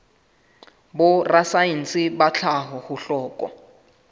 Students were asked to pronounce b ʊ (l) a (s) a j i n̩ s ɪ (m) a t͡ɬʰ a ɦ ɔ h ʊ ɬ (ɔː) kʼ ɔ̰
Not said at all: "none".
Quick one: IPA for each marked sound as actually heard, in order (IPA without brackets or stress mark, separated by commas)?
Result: r, s, b, ɔː